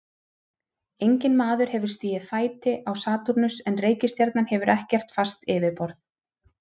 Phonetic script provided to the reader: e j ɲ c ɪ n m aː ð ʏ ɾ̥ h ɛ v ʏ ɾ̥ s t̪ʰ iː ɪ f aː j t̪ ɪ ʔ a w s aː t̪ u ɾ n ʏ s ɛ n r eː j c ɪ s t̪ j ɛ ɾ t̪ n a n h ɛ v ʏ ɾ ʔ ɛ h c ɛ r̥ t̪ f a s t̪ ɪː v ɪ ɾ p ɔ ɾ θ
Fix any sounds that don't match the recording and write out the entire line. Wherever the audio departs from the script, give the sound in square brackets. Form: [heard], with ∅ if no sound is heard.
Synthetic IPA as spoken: e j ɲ c ɪ n m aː ð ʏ ɾ̥ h ɛ v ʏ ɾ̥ s [t̪] iː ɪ f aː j t̪ ɪ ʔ a w s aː t̪ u ɾ n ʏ s ɛ n r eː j c ɪ s t̪ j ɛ ɾ t̪ n a n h ɛ v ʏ ɾ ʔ ɛ h c ɛ r̥ t̪ f a s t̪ ɪː v ɪ ɾ p ɔ ɾ θ